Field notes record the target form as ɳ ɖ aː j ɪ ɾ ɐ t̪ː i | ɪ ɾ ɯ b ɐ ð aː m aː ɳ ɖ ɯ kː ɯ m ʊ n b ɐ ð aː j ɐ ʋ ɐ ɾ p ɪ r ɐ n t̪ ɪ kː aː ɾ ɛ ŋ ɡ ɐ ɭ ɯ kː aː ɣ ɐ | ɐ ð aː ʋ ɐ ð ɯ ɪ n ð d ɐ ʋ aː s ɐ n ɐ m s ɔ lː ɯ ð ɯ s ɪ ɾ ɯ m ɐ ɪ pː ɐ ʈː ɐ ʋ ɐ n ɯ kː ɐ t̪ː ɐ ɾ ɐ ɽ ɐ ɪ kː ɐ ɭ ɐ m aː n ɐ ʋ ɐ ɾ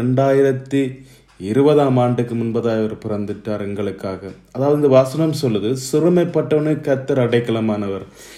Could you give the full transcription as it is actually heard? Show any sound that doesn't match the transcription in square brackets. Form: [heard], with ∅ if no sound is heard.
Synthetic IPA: ɳ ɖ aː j ɪ ɾ ɐ t̪ː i | ɪ ɾ ɯ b ɐ ð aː m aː ɳ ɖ ɯ kː ɯ m ʊ n b ɐ ð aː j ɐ ʋ ɐ ɾ p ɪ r ɐ n [d̪] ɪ [ʈː] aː ɾ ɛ ŋ ɡ ɐ ɭ ɯ kː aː ɣ ɐ | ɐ ð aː ʋ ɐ ð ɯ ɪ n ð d ɐ ʋ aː s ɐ n ɐ m s ɔ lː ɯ ð ɯ s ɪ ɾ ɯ m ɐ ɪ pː ɐ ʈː ɐ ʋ ɐ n ɯ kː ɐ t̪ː ɐ ɾ ɐ ɽ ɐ ɪ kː ɐ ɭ ɐ m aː n ɐ ʋ ɐ ɾ